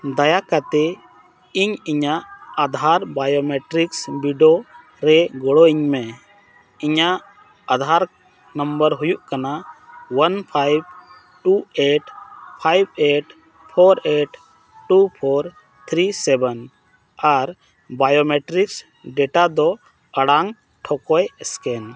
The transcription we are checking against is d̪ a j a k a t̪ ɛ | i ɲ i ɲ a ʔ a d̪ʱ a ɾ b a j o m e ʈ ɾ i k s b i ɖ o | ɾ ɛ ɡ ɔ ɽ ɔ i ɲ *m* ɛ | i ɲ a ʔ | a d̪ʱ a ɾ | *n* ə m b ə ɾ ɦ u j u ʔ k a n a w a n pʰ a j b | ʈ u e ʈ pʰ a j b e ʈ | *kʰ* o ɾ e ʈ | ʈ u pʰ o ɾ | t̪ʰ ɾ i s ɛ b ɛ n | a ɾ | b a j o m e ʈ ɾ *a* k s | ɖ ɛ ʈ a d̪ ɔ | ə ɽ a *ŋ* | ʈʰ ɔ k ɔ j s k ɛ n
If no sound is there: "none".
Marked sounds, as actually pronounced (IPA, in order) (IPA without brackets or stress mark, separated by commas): m, n, pʰ, i, ŋ